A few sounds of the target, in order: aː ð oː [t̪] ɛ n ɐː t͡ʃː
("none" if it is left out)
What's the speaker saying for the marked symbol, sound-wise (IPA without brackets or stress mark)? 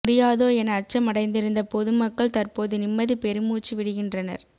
none